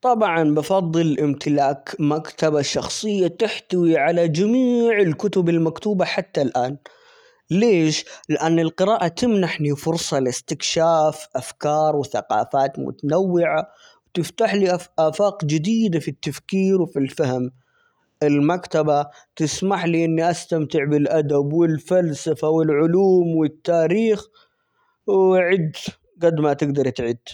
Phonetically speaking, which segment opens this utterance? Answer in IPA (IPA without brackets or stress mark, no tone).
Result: t̪ˤ